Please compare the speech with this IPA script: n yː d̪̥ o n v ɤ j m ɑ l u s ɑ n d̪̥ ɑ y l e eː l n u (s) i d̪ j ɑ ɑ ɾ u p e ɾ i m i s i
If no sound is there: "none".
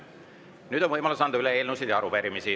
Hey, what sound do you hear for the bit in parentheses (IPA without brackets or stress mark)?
s